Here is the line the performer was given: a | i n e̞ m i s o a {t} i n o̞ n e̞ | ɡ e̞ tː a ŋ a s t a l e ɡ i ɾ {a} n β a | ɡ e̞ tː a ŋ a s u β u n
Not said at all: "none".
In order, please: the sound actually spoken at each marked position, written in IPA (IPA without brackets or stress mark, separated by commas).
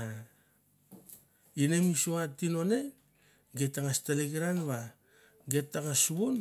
t, a